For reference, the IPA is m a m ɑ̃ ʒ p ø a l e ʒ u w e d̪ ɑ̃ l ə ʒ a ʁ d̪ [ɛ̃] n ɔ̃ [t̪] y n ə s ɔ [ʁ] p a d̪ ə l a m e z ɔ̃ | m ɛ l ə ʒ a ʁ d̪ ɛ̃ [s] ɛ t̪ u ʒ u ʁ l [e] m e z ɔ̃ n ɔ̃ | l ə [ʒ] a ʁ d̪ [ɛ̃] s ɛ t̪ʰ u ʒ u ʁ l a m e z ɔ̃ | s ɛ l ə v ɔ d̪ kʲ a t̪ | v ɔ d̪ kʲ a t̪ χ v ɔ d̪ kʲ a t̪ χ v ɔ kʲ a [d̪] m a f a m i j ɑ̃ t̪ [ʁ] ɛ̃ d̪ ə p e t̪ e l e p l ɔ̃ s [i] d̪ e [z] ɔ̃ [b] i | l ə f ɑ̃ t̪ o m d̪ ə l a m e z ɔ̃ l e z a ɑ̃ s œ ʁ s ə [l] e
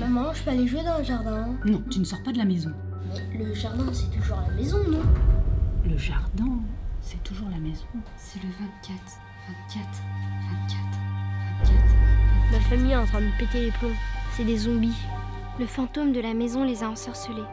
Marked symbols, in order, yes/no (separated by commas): yes, yes, yes, yes, no, yes, yes, no, no, no, yes, yes, yes